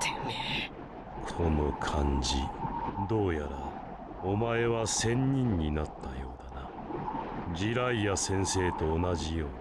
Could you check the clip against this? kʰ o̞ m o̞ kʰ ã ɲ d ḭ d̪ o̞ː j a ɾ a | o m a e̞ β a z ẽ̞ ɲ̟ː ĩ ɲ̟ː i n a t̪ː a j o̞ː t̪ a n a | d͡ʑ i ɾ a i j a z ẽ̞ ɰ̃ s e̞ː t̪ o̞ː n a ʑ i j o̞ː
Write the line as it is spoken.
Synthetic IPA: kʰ o̞ n o̞ kʰ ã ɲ d͡ʑ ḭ d̪ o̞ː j a ɾ a | o m a e̞ β a s ẽ̞ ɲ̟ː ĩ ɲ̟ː i n a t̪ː a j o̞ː d̪ a n a | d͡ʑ i ɾ a i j a s ẽ̞ ɰ̃ s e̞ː t̪ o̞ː n a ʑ i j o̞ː